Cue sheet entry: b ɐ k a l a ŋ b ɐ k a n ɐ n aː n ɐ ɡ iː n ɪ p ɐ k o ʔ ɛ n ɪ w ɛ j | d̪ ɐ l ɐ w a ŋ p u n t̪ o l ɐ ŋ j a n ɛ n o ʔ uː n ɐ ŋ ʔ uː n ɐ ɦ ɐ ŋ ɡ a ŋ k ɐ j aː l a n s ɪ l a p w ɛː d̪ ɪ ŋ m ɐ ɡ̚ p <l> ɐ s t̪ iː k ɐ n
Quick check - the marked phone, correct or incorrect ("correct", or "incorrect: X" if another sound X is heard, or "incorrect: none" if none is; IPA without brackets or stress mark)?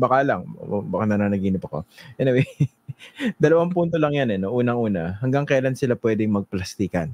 correct